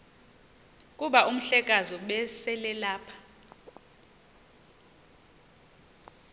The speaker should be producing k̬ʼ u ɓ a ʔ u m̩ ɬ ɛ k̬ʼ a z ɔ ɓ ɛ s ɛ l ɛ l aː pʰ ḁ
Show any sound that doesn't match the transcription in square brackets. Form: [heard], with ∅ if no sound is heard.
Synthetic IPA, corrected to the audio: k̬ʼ u ɓ a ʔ u m̩ ɬ ɛ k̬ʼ a z ɔ ɓ ɛ s ɛ l ɛ l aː pʰ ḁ